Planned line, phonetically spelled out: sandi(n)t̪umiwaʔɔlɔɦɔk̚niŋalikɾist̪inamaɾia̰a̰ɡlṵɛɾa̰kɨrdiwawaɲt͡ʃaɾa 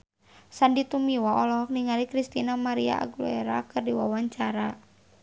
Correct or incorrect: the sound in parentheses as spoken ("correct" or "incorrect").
incorrect